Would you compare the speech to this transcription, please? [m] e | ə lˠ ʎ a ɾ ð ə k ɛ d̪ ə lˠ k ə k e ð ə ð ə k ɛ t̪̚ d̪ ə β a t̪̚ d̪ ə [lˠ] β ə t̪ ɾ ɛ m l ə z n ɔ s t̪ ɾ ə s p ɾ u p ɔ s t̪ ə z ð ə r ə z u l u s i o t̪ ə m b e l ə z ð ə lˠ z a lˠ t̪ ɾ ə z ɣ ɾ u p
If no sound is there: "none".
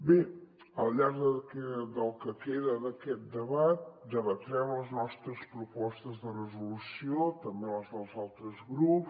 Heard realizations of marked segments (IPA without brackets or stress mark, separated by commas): b, none